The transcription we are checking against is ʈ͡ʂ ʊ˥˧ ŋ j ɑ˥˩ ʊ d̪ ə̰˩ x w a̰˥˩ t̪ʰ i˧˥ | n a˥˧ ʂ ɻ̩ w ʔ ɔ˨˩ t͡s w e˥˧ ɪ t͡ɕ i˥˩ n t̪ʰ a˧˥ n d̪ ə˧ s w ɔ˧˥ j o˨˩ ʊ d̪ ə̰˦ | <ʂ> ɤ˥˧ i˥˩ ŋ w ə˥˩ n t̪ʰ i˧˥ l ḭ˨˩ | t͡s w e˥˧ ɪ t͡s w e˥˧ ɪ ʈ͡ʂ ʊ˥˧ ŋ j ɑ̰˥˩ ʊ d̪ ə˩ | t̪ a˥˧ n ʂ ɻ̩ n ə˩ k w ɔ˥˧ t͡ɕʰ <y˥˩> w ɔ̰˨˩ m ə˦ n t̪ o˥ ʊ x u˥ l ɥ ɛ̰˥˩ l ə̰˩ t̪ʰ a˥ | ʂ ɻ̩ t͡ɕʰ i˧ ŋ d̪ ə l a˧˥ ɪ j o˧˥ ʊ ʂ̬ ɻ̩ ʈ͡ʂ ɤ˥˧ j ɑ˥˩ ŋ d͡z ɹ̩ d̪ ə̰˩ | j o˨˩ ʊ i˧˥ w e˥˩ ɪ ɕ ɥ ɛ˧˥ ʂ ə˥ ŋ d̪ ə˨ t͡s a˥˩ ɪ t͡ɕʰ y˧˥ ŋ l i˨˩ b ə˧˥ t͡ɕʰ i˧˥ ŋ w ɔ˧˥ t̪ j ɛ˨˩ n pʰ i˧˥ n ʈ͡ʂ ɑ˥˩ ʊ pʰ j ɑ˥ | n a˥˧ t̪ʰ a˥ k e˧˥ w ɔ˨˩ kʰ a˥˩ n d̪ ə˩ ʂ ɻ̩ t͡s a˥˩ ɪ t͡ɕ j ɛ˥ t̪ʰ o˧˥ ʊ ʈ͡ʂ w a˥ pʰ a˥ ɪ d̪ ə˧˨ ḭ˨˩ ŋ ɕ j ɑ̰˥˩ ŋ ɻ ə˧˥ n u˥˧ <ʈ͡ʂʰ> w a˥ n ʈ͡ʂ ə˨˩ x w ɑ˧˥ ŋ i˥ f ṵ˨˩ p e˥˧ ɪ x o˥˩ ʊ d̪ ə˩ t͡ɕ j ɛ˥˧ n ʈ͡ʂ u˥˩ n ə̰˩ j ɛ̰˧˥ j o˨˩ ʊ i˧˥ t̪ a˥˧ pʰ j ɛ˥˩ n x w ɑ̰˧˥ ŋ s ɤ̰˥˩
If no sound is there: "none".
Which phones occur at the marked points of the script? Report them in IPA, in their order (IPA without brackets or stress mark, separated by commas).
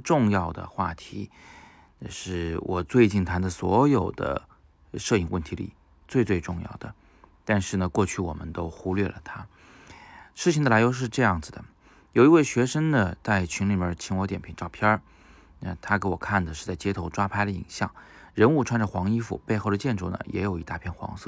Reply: ʂ, y˥˩, ʈ͡ʂʰ